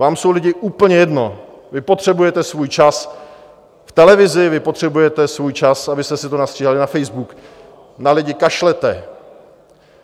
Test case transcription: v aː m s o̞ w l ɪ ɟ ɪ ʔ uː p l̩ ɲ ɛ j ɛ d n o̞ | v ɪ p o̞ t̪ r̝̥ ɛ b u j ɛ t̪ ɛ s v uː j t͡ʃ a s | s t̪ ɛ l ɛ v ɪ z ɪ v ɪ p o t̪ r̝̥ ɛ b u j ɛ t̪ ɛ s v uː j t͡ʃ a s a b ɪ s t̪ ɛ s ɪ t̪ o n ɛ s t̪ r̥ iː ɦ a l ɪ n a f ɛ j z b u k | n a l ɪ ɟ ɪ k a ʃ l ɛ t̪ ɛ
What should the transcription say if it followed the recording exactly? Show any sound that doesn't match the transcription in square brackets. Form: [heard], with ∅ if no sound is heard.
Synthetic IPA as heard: v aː m s o̞ w l ɪ ɟ ɪ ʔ uː p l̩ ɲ ɛ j ɛ d n o̞ | v ɪ p o̞ t̪ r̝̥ ɛ b u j ɛ t̪ ɛ s v uː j t͡ʃ a s | [f] t̪ ɛ l ɛ v ɪ z ɪ v ɪ p o t̪ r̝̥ ɛ b u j ɛ t̪ ɛ s v uː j t͡ʃ a s a b ɪ s t̪ ɛ s ɪ t̪ o n [a] s t̪ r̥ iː ɦ a l ɪ n a f ɛ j z b u k | n a l ɪ ɟ ɪ k a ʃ l ɛ t̪ ɛ